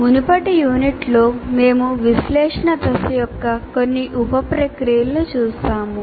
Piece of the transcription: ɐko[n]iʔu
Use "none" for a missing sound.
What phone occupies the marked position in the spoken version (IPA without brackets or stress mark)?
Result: nː